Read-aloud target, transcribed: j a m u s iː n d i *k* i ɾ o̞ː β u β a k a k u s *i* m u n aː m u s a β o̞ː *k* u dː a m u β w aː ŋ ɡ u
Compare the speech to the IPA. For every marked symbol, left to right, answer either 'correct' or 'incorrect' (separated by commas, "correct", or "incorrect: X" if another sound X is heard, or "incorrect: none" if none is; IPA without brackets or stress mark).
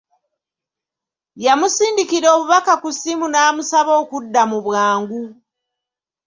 correct, correct, correct